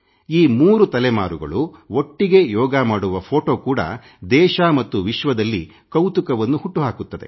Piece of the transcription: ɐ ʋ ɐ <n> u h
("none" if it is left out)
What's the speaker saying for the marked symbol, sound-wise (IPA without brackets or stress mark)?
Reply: nː